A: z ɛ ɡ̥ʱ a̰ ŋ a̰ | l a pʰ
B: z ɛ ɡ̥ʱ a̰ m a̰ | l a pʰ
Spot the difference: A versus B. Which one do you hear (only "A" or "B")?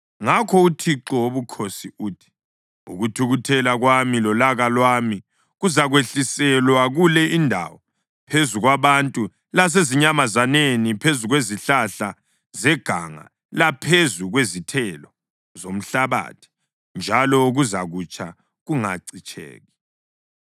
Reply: A